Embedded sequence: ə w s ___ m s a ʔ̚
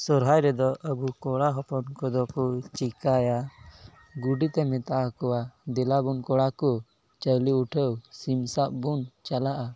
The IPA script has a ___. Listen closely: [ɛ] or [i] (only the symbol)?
i